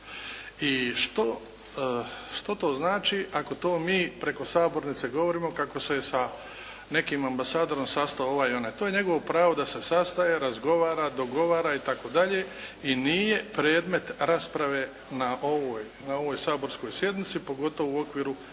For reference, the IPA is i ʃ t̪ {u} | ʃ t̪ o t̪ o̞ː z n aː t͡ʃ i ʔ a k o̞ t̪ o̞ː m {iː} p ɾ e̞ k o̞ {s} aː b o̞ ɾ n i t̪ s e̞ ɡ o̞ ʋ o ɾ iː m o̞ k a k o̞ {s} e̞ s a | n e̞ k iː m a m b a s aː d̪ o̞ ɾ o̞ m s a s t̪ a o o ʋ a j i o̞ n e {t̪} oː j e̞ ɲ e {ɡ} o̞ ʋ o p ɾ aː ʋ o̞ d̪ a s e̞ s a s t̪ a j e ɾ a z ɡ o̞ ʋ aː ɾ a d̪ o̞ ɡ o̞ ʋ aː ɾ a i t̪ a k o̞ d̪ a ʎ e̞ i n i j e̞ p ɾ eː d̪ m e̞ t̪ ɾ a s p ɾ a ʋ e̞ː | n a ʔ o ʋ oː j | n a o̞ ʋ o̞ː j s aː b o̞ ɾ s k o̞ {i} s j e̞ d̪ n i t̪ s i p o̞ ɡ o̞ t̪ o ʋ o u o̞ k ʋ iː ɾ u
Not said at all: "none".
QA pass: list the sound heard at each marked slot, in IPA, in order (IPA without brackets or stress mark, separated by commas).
o, iː, s, s, t̪, ɡ, j